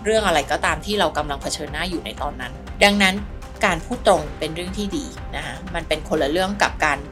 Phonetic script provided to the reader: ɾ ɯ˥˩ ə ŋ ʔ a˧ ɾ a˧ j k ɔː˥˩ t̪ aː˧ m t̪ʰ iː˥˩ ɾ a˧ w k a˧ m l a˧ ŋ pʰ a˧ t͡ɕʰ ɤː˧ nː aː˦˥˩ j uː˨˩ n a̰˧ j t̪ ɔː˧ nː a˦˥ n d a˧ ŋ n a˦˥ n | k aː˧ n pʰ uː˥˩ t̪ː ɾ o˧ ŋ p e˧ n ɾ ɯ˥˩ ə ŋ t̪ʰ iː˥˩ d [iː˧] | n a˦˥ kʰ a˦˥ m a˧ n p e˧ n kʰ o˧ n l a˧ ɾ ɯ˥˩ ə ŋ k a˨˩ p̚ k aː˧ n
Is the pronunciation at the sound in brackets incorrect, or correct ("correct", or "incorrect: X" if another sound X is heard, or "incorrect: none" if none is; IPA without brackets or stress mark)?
correct